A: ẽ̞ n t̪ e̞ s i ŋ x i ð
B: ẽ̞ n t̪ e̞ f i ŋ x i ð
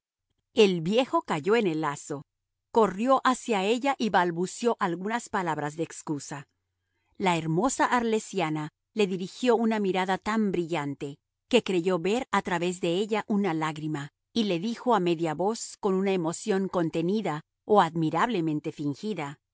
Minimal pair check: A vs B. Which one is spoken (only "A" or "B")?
B